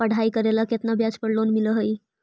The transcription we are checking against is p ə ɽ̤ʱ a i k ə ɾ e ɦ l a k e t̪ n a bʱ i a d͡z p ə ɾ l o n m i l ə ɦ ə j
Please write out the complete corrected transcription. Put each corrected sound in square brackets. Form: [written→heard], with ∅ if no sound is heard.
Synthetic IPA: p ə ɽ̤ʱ a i k ə ɾ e [ɦ→∅] l a k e t̪ n a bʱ [i→j] a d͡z p ə [ɾ→ɽ] l o n m i l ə ɦ ə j